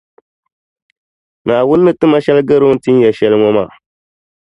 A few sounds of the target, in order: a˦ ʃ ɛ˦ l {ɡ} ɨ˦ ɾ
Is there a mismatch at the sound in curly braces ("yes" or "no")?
no